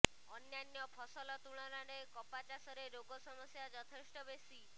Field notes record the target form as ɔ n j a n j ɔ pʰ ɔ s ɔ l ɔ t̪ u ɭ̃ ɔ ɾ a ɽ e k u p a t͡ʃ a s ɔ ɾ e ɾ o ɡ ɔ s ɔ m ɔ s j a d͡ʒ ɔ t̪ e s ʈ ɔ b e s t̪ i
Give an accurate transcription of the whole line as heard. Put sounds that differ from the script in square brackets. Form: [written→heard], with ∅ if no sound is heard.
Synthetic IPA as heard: ɔ n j a n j ɔ pʰ ɔ s ɔ l ɔ t̪ u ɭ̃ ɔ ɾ a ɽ e k [u→ɔ] p a t͡ʃ a s ɔ ɾ e ɾ o ɡ ɔ s ɔ m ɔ s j a d͡ʒ ɔ [t̪→t̪ʰ] e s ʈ ɔ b e s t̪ i

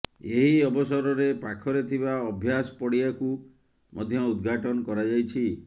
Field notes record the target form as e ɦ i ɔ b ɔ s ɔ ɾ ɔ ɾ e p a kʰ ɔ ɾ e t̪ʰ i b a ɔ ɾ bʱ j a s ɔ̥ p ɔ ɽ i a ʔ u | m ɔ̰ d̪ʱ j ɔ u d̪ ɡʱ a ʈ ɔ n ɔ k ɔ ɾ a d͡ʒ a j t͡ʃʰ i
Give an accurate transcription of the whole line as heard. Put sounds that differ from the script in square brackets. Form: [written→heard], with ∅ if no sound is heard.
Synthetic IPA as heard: e ɦ i ɔ b ɔ s ɔ ɾ ɔ ɾ e p a kʰ ɔ ɾ e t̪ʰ i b a ɔ [ɾ→∅] bʱ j a s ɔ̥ p ɔ ɽ i a [ʔ→k] u | m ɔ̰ d̪ʱ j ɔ u d̪ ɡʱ a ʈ ɔ n ɔ k ɔ ɾ a d͡ʒ a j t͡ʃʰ i

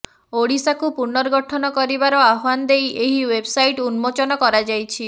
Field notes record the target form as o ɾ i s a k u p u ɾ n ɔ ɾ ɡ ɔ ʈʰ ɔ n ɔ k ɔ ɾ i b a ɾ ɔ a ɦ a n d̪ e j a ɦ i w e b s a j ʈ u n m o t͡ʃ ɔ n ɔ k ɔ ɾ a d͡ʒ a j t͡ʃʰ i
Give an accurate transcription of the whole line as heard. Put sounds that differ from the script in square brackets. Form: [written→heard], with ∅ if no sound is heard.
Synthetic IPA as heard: o [ɾ→ɽ] i s a k u p u ɾ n ɔ ɾ ɡ ɔ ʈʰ ɔ n ɔ k ɔ ɾ i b a ɾ ɔ a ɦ a n d̪ e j [a→e] ɦ i w e b s a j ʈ u n m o t͡ʃ ɔ n ɔ k ɔ ɾ a d͡ʒ a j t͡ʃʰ i

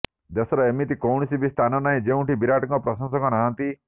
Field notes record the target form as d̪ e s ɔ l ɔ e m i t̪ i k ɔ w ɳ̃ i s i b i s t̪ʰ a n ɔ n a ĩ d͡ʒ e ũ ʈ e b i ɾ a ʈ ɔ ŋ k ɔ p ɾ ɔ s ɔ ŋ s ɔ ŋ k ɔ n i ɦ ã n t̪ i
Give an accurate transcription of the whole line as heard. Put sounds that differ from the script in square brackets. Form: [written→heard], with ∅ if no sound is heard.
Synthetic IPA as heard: d̪ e s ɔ [l→ɾ] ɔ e m i t̪ i k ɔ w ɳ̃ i s i b i s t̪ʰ a n ɔ n a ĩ d͡ʒ e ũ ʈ [e→i] b i ɾ a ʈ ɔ ŋ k ɔ p ɾ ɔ s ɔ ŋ s ɔ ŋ k ɔ n [i→a] ɦ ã n t̪ i

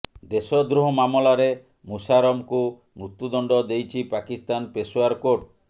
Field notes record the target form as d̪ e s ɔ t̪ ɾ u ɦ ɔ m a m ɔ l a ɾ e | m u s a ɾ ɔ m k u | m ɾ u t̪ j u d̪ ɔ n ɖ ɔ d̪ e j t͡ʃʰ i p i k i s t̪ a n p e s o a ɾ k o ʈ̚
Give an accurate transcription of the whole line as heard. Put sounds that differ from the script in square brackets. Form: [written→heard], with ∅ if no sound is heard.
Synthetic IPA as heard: d̪ e s ɔ [t̪→d̪] ɾ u ɦ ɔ m a m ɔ l a ɾ e | m u s a ɾ ɔ m k u | m ɾ u t̪ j u d̪ ɔ [n→ɳ] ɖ ɔ d̪ e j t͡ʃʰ i p [i→a] k i s t̪ a n p e s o a ɾ k o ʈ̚

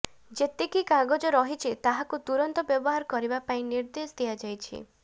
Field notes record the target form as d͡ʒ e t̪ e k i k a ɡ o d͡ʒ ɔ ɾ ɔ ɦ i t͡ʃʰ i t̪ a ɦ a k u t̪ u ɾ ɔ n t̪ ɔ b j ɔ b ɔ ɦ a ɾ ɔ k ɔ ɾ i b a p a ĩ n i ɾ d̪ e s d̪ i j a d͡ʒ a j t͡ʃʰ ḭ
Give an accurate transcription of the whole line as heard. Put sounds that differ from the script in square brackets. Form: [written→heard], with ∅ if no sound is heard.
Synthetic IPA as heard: d͡ʒ e t̪ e k i k a ɡ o d͡ʒ ɔ ɾ ɔ ɦ i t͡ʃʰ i t̪ a ɦ a k u t̪ u ɾ ɔ n t̪ ɔ b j ɔ b ɔ ɦ a ɾ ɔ k ɔ ɾ i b a p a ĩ n i ɾ d̪ e s d̪ i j a d͡ʒ a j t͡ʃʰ ḭ

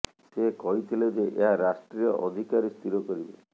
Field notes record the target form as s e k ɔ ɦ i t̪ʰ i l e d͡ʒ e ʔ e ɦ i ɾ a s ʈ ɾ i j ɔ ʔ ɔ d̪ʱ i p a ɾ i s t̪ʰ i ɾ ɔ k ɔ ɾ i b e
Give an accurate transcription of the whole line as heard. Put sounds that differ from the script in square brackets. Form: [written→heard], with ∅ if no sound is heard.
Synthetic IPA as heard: s e k ɔ ɦ i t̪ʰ i l e d͡ʒ e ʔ e ɦ [i→a] ɾ a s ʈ ɾ i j ɔ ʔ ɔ d̪ʱ i [p→k] a ɾ i s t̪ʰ i ɾ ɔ k ɔ ɾ i b e

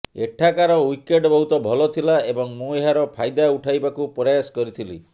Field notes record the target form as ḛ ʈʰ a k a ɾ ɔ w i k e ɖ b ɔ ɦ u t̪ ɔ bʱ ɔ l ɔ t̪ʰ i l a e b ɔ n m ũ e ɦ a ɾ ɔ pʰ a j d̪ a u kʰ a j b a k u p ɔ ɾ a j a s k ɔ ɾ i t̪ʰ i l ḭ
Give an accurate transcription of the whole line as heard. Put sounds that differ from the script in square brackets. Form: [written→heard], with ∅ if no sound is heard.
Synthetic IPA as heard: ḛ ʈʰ a k a ɾ ɔ w i k e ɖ b ɔ ɦ u t̪ ɔ bʱ ɔ l ɔ t̪ʰ i l a e b ɔ [n→ŋ] m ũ e ɦ a ɾ ɔ pʰ a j d̪ a u [kʰ→ʈʰ] a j b a k u p ɔ ɾ a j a s k ɔ ɾ i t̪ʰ i l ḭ

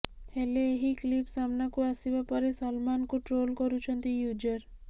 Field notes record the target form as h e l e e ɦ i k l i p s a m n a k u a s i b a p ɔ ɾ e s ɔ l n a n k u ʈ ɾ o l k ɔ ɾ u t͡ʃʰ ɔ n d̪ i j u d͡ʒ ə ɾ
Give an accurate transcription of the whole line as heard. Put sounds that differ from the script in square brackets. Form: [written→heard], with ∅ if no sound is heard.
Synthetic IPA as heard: h e l e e ɦ i k l i p s a m n a k u a s i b a p ɔ ɾ e s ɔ l [n→m] a n k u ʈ ɾ o l k ɔ ɾ u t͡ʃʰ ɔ n [d̪→t̪] i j u d͡ʒ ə ɾ

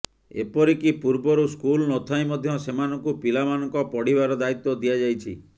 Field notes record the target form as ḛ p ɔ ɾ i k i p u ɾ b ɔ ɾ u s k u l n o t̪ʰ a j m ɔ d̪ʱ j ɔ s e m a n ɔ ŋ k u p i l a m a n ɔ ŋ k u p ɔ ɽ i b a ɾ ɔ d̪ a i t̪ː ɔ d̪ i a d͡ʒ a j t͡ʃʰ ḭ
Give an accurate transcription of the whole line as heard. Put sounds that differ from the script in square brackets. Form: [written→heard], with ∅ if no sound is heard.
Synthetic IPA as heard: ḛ p ɔ ɾ i k i p u ɾ b ɔ ɾ u s k u l n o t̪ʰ a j m ɔ d̪ʱ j ɔ s e m a n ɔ ŋ k u p i l a m a n ɔ ŋ k [u→ɔ] p ɔ ɽ i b a ɾ ɔ d̪ a i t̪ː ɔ d̪ i a d͡ʒ a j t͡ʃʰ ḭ

